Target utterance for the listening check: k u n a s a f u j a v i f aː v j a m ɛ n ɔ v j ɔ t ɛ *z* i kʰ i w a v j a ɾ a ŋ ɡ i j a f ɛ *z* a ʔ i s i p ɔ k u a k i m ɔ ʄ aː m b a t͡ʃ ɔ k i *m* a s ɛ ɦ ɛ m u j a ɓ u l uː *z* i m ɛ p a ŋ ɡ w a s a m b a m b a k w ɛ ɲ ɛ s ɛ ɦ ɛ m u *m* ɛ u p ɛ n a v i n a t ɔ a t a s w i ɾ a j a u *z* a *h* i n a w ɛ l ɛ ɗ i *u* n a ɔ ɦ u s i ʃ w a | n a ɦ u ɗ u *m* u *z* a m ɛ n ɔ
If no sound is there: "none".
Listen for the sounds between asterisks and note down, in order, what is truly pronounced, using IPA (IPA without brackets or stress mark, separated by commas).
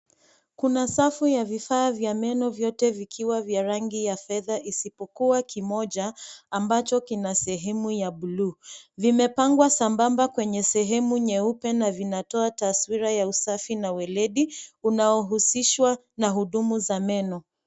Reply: v, ð, n, v, ɲ, s, f, u, m, z